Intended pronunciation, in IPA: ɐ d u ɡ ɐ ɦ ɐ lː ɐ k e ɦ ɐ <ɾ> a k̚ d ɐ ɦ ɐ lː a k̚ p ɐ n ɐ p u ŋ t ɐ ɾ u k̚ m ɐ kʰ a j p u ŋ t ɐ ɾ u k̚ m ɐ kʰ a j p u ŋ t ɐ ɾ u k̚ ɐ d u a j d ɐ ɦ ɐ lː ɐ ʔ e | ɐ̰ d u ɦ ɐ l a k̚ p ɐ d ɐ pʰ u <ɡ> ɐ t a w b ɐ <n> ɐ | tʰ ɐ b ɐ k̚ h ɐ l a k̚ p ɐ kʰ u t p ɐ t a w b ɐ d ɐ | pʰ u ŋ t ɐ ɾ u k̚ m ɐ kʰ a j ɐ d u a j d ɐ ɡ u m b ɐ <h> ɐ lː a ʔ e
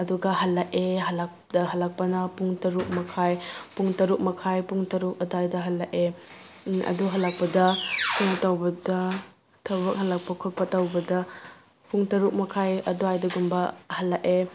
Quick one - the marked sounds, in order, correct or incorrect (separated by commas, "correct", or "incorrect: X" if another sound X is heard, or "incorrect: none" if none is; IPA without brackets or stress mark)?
incorrect: l, incorrect: ŋ, incorrect: d, correct